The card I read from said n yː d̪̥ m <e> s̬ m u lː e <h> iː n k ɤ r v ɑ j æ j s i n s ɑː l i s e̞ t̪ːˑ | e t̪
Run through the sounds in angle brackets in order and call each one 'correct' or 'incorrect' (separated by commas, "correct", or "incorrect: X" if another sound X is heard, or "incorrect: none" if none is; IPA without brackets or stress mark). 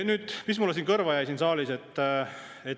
incorrect: i, incorrect: s